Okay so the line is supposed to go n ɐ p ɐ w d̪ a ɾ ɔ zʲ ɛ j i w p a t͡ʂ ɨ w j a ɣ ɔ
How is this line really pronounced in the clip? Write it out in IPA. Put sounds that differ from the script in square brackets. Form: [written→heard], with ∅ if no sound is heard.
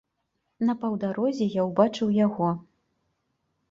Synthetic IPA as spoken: n ɐ p ɐ w d̪ a ɾ ɔ zʲ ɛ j [i→a] w [p→b] a t͡ʂ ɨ w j a ɣ ɔ